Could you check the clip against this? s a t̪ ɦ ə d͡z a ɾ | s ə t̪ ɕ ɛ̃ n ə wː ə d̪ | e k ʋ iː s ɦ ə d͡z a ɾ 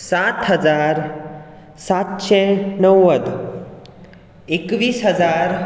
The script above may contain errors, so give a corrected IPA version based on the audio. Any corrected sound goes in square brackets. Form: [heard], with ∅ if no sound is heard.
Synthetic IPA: s a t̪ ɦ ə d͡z a ɾ | s [a] t̪ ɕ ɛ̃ n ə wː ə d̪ | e k ʋ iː s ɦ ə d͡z a ɾ